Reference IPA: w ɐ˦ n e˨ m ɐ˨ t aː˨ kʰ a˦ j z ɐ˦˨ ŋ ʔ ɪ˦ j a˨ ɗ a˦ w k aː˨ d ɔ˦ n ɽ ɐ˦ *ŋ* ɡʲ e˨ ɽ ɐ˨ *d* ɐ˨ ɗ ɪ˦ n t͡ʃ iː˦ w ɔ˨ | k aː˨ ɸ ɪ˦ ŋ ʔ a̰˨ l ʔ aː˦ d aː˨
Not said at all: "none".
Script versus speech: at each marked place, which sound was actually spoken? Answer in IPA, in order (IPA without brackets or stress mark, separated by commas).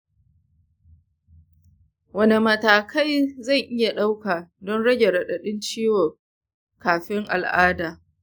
none, ɗ